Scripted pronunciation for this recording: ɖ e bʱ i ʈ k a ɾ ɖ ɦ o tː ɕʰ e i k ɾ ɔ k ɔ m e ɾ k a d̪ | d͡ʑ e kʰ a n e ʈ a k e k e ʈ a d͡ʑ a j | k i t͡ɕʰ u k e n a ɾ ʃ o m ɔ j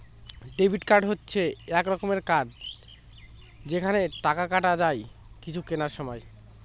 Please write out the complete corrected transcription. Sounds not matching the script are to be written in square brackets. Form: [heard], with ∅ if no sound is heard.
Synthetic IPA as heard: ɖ e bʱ i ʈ k a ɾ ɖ ɦ o tː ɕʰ e [ɛ] k ɾ ɔ k [o] m e ɾ k a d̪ | d͡ʑ e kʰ a n e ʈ a k [a] k [a] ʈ a d͡ʑ a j | k i t͡ɕʰ u k e n a ɾ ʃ [ɔ] m ɔ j